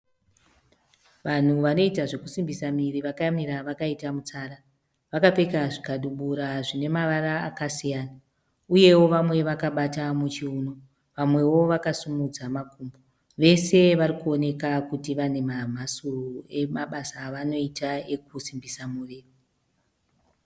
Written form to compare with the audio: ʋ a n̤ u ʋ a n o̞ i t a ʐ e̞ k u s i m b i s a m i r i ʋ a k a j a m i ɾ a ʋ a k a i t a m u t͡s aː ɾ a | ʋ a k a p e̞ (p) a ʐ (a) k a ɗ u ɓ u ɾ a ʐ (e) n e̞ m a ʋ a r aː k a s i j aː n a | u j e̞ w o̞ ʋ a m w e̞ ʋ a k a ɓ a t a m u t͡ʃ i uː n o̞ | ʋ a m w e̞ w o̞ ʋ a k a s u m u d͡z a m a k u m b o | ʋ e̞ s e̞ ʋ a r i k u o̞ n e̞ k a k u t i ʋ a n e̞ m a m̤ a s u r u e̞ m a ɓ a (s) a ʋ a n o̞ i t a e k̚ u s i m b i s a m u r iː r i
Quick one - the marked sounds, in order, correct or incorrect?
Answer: incorrect: k, incorrect: i, incorrect: i, correct

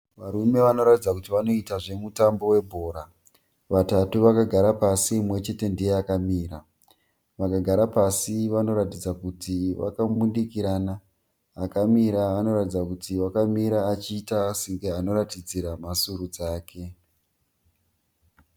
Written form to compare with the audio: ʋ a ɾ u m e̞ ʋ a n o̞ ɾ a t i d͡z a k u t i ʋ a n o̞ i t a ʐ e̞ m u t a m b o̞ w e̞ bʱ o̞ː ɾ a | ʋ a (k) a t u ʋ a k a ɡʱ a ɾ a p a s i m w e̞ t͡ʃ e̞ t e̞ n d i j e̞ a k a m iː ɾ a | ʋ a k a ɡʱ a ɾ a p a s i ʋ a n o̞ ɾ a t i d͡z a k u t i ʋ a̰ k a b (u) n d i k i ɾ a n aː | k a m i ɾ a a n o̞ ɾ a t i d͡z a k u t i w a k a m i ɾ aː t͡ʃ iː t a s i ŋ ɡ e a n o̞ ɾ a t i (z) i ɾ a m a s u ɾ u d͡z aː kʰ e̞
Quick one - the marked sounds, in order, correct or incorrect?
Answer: incorrect: t, correct, incorrect: d͡z

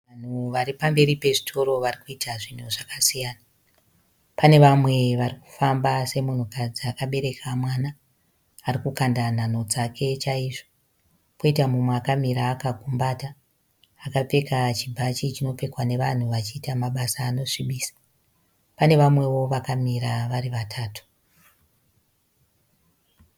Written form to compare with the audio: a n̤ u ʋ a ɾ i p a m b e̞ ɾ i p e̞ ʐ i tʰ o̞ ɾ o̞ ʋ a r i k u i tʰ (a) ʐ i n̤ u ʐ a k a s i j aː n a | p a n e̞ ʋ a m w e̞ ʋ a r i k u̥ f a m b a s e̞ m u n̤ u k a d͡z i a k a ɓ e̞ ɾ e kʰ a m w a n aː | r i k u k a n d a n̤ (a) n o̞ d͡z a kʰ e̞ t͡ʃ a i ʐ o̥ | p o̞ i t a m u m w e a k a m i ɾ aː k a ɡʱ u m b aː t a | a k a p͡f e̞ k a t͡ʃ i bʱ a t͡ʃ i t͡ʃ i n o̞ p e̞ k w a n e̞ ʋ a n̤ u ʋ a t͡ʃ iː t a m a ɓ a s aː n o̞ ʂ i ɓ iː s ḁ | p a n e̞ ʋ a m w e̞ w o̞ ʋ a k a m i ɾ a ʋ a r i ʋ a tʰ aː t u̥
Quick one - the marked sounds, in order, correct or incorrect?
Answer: correct, correct

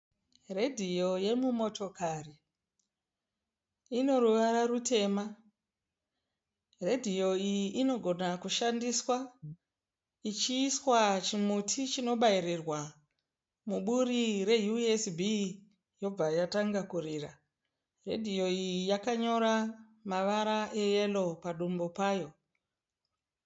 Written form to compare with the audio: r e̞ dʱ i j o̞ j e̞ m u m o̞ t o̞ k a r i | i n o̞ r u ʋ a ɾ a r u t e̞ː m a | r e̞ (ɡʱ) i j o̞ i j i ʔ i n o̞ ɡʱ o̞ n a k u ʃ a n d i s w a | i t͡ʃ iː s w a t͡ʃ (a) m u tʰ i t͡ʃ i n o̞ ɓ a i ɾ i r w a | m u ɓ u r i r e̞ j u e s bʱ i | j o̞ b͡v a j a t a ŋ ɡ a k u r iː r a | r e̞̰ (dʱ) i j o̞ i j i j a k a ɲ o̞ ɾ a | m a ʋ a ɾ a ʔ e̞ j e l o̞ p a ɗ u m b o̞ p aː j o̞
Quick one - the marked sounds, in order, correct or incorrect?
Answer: incorrect: dʱ, incorrect: i, correct

